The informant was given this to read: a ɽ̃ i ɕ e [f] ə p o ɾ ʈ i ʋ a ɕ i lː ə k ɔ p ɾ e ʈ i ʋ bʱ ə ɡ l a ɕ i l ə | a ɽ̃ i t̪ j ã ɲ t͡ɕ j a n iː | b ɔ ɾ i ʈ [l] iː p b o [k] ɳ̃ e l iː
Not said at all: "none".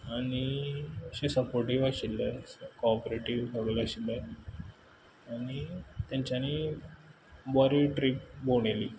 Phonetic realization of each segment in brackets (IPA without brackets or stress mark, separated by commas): s, ɾ, none